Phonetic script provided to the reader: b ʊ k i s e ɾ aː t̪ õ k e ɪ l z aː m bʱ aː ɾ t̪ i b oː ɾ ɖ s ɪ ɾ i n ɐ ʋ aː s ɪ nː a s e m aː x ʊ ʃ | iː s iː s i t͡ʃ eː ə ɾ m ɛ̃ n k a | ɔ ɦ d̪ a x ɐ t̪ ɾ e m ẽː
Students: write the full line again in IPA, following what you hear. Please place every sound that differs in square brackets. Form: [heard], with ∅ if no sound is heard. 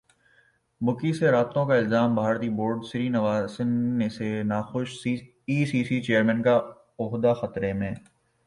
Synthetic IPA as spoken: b ʊ k i s e ɾ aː t̪ õ k [a] ɪ l z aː m bʱ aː ɾ t̪ i b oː ɾ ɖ s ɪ ɾ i n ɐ ʋ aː s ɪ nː [e] s e [n] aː x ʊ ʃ | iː s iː s i t͡ʃ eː ə ɾ m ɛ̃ n k a | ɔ ɦ d̪ a x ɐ t̪ ɾ e m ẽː